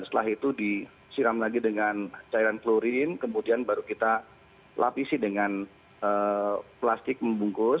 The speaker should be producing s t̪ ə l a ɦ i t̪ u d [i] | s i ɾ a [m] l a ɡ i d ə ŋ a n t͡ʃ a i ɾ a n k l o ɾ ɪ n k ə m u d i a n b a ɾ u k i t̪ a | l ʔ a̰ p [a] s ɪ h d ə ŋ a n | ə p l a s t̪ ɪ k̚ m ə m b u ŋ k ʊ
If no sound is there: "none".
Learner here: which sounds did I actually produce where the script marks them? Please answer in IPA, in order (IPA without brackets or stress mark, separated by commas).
i, m, i